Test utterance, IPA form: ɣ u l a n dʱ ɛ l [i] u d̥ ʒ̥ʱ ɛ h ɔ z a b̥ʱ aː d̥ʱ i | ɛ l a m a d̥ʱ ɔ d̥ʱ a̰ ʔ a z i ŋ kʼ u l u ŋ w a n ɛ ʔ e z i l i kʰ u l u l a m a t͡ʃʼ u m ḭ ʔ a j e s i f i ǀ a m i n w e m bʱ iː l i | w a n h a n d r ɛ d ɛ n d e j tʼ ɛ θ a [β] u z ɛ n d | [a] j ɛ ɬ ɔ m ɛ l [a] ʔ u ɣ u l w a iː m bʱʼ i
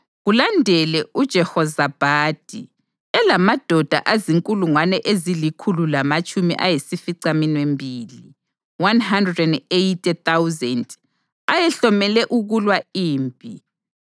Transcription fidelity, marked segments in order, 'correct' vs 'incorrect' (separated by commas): incorrect, incorrect, correct, incorrect